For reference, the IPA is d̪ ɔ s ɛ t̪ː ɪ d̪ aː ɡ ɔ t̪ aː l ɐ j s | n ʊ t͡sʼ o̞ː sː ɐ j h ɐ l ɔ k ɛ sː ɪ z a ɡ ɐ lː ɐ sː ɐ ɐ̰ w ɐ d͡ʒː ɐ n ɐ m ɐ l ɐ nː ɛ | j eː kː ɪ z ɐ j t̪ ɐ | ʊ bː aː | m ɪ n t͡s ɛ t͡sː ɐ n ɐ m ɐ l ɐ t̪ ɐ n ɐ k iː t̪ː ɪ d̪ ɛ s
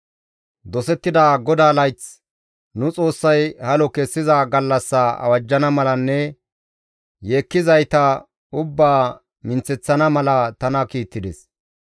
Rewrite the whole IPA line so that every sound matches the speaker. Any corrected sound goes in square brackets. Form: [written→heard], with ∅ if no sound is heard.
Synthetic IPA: d̪ ɔ s ɛ t̪ː ɪ d̪ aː ɡ ɔ [t̪→d̪] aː l ɐ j [s→t͡s] | n ʊ t͡sʼ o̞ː sː ɐ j h ɐ l ɔ k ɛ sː ɪ z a ɡ ɐ lː ɐ sː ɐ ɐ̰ w ɐ d͡ʒː ɐ n ɐ m ɐ l ɐ nː ɛ | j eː kː ɪ z ɐ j t̪ ɐ | ʊ bː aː | m ɪ n t͡s ɛ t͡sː ɐ n ɐ m ɐ l ɐ t̪ ɐ n ɐ k iː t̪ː ɪ d̪ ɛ s